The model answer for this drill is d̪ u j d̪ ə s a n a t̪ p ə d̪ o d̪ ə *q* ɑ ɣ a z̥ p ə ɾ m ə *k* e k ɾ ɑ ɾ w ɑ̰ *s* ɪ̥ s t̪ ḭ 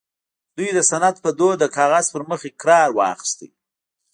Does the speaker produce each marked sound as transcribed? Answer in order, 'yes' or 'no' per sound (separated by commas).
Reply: no, no, no